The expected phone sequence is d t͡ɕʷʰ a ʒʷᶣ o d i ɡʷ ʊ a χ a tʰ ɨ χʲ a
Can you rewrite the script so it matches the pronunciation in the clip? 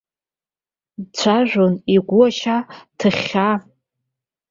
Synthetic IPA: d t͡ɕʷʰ a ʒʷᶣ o n i ɡʷ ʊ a ʃ a tʰ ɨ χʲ a